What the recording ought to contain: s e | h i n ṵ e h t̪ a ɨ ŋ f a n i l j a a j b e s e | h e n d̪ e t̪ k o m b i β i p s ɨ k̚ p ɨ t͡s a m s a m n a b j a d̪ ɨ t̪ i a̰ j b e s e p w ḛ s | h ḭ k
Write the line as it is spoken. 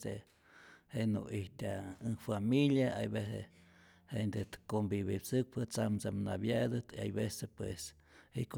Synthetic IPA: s e | h e n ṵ i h t̪ a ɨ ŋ f a m i l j a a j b e s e | h e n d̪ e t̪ k o m b i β i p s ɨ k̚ p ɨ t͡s a m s a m n a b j a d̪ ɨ t̪ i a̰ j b e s e p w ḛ s | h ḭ k